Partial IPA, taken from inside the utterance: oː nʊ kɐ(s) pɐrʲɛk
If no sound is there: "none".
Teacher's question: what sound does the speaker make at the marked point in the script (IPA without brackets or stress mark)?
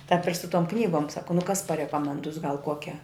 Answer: s